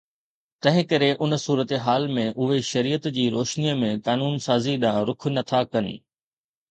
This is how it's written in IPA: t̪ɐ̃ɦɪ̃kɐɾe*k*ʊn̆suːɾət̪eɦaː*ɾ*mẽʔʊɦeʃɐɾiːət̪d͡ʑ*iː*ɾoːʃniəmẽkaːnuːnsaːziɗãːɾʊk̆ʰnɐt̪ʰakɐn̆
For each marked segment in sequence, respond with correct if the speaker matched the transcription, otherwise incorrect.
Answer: incorrect: ʔ, incorrect: l, correct

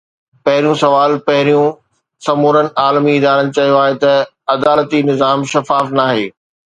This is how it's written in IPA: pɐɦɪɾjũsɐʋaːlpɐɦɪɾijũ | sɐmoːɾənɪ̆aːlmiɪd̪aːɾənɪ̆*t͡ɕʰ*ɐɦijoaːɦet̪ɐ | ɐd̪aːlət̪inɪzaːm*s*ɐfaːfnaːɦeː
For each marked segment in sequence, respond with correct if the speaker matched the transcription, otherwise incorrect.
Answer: incorrect: t͡ɕ, incorrect: ʃ

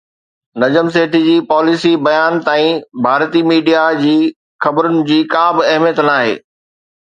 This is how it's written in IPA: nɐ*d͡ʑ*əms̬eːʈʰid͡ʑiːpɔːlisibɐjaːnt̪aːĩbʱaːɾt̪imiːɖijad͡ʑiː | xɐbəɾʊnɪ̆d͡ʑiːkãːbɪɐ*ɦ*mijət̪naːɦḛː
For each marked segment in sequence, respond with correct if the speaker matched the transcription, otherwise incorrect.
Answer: correct, correct

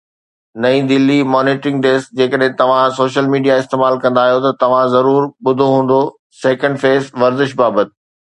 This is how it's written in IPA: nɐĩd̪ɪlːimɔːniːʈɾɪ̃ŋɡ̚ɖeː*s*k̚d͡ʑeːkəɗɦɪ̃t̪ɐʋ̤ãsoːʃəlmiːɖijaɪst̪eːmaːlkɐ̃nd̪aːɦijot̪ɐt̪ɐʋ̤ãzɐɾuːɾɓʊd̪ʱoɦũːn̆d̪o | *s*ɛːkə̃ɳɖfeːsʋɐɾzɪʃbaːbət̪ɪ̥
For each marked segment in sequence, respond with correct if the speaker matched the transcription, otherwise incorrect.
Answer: correct, correct

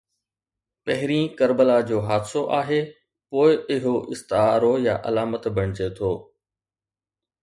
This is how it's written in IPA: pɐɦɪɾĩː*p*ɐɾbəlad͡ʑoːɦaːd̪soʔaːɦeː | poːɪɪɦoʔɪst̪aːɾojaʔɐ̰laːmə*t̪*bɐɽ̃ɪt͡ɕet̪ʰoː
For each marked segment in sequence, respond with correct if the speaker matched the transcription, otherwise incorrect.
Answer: incorrect: k, correct

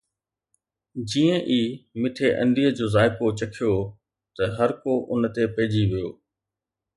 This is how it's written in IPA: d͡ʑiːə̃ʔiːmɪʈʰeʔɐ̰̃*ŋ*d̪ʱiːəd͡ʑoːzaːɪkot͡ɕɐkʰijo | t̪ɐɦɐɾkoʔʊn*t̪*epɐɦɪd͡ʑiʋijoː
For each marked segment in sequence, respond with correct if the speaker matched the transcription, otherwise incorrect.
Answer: incorrect: n, correct

